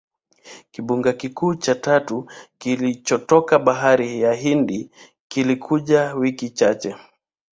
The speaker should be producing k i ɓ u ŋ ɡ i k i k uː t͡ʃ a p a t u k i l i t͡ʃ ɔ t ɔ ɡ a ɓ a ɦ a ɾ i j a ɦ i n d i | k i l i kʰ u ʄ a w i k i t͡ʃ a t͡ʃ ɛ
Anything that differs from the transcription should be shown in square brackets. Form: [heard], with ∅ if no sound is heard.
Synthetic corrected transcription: k i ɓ u ŋ ɡ [a] k i k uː t͡ʃ a [t] a t u k i l i t͡ʃ ɔ t ɔ [k] a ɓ a ɦ a ɾ i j a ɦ i n d i | k i l i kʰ u ʄ a w i k i t͡ʃ a t͡ʃ ɛ